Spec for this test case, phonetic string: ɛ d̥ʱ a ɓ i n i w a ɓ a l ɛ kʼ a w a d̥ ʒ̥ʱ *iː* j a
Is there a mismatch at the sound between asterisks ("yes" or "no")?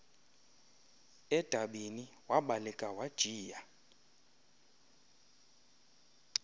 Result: no